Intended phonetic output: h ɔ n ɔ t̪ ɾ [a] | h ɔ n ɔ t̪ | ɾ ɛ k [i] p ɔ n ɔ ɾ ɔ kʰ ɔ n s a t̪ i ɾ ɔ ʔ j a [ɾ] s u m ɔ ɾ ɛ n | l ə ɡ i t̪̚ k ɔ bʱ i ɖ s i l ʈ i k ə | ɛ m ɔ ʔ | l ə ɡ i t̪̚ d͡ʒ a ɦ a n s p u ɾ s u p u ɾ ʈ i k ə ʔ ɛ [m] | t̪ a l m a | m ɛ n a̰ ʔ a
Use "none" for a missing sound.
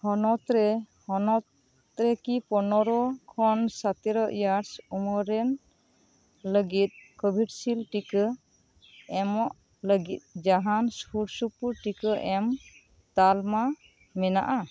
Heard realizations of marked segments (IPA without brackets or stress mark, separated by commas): ɛ, i, ɾ, m